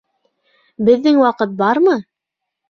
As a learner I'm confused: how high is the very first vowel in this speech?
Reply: mid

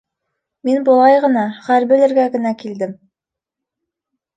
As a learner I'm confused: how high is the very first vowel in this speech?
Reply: high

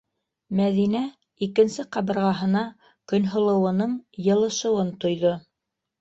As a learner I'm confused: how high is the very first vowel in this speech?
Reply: low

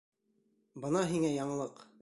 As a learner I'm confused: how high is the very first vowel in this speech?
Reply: mid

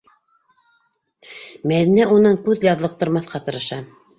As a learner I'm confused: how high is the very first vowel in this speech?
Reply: low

